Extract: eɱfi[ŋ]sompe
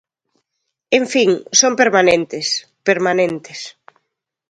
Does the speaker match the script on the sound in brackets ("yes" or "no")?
yes